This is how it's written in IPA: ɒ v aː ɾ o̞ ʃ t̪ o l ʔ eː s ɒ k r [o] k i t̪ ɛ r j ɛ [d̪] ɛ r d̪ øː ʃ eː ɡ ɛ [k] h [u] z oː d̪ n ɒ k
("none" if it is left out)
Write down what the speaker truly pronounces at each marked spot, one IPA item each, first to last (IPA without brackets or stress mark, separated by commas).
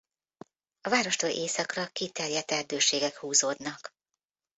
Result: ɒ, t̪, k, uː